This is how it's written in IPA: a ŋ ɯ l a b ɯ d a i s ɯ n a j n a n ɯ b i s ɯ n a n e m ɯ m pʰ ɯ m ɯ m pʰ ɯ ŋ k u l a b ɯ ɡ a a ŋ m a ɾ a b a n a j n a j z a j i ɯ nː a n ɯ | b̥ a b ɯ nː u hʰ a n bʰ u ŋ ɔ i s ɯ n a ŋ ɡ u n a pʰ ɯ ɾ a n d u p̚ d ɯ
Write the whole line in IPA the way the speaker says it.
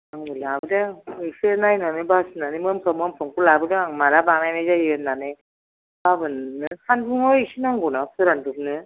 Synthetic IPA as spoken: a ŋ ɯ l a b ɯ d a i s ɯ n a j n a n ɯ b a s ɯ n a n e m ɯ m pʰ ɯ m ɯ m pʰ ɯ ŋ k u l a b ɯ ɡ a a ŋ m a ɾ a b a n a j n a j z a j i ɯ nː a n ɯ | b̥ a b ɯ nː ɯ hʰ a n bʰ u ŋ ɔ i s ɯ n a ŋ ɡ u n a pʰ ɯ ɾ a n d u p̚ n ɯ